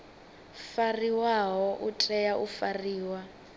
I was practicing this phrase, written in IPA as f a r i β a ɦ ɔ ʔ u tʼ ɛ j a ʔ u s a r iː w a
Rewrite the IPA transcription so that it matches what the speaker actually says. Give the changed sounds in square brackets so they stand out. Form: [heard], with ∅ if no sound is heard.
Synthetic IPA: f a r i [w] a ɦ ɔ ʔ u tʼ ɛ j a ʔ u [f] a r iː w a